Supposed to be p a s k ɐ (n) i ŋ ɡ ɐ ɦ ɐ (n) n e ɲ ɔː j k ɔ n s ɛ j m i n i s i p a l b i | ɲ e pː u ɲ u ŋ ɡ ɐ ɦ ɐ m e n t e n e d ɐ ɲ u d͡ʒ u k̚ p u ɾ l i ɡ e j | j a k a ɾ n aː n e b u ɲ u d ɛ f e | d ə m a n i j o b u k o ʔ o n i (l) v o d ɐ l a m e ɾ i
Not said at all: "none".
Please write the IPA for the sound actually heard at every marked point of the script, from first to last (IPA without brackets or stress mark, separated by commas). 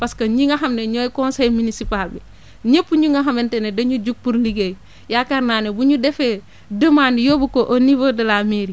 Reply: ɲ, m, none